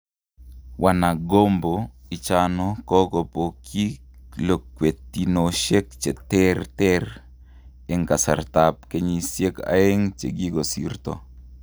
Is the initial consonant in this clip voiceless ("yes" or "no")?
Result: no